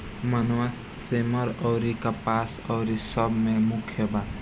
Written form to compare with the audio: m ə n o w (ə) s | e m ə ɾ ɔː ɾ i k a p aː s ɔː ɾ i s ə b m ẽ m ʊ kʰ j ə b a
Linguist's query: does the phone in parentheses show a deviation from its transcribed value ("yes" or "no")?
yes